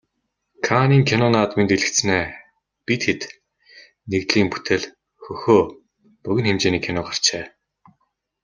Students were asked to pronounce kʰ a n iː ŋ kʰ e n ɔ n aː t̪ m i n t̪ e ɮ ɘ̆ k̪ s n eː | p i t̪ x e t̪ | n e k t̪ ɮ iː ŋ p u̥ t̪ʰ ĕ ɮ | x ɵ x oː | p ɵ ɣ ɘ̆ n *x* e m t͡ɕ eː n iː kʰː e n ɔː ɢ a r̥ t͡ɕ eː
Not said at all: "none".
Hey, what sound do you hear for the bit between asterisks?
x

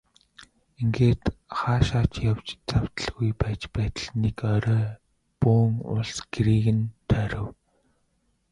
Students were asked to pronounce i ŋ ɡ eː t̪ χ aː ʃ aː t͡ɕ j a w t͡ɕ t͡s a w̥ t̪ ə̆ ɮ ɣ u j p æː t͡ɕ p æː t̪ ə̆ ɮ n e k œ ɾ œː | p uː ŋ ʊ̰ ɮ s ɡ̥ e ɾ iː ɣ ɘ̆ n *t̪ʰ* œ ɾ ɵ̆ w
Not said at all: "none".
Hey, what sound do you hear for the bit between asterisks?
t̪ʰ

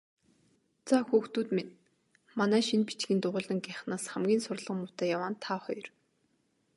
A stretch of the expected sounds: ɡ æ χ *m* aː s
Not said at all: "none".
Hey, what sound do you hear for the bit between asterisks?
n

